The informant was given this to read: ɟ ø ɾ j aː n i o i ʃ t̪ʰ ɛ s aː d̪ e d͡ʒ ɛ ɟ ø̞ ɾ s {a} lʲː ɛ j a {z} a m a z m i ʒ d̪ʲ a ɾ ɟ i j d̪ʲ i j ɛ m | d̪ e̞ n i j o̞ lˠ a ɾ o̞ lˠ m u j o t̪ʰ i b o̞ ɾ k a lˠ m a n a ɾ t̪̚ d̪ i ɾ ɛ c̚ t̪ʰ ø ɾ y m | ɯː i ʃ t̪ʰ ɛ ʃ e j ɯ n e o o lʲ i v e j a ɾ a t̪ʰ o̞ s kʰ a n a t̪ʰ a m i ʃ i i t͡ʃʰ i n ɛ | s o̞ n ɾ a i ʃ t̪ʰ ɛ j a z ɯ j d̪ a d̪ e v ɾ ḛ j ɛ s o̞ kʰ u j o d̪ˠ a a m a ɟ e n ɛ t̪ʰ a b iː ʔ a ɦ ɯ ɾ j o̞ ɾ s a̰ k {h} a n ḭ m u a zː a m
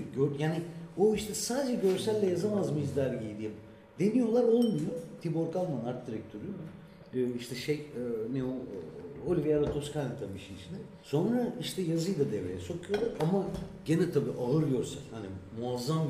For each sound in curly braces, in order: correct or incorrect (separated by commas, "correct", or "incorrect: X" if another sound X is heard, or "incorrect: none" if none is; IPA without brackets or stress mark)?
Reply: incorrect: æ, correct, correct